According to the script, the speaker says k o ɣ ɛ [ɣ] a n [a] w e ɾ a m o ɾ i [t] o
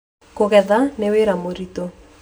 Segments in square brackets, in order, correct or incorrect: incorrect, incorrect, correct

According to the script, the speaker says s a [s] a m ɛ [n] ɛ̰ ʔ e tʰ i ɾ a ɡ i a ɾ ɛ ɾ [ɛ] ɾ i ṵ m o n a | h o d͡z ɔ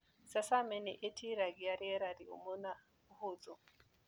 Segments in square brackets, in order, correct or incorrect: correct, correct, incorrect

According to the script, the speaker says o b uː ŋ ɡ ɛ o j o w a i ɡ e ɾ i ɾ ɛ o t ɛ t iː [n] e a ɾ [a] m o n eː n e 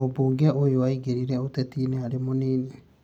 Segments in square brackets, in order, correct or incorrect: correct, incorrect

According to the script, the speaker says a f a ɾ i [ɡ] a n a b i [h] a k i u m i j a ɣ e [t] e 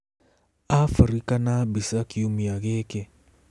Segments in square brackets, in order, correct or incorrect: incorrect, incorrect, incorrect

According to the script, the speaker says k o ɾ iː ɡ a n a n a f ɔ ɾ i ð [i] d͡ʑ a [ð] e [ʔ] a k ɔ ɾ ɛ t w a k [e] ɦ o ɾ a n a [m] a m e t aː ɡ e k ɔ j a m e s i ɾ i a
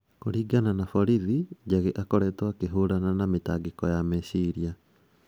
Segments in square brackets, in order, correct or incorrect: correct, incorrect, correct, correct, incorrect

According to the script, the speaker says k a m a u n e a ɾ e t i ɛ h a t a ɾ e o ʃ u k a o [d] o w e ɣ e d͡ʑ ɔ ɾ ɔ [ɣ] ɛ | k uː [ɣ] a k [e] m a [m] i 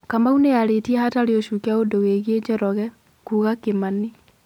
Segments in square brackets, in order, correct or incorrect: correct, correct, correct, correct, incorrect

